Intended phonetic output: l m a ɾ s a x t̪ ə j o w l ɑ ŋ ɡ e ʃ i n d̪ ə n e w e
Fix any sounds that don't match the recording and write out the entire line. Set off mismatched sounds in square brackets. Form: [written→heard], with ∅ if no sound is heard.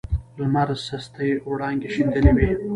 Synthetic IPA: l m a ɾ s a [x→s] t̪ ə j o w [l→ɽ] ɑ ŋ ɡ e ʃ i n d̪ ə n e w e